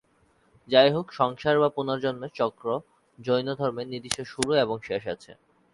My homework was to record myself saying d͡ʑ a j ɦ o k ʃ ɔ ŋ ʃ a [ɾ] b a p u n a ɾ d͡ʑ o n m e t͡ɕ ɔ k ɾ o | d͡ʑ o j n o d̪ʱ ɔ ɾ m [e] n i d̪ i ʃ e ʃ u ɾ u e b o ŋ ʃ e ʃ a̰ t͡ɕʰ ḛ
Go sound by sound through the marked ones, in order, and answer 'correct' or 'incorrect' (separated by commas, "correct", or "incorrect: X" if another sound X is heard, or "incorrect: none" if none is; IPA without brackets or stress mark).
correct, correct